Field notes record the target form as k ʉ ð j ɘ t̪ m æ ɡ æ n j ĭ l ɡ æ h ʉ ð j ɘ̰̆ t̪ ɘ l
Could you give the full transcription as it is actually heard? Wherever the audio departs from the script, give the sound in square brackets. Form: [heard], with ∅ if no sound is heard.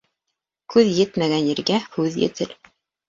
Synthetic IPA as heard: k ʉ ð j ɘ t̪ m æ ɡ æ n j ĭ [ɾ] ɡ æ h ʉ ð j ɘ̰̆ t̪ ɘ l